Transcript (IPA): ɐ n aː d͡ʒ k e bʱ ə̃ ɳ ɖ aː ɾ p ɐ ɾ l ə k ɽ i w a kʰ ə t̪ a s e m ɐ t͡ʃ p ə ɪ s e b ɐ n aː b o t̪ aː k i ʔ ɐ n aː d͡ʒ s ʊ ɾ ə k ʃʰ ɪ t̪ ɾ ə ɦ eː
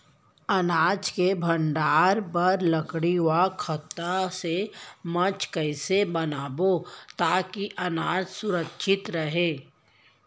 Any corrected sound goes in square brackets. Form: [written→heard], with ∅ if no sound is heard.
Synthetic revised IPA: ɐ n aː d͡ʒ k e bʱ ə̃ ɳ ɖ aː ɾ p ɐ ɾ l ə k ɽ i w a kʰ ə t̪ a s e m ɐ t͡ʃ [p→k] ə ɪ s e b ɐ n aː b o t̪ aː k i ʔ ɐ n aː d͡ʒ s ʊ ɾ ə k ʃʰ ɪ t̪ ɾ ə ɦ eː